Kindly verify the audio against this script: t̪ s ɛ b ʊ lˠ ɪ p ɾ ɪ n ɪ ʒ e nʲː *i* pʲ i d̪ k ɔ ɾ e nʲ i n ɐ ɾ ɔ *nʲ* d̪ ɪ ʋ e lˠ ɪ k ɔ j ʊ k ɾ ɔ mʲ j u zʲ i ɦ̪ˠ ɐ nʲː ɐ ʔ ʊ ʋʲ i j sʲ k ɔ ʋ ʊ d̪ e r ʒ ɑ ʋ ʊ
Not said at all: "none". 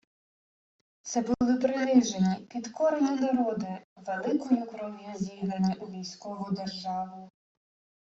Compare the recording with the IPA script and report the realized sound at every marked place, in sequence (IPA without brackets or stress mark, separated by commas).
i, none